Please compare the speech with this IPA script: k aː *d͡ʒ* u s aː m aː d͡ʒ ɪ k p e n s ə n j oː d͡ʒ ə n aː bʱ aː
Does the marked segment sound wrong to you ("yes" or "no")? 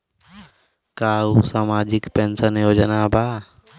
yes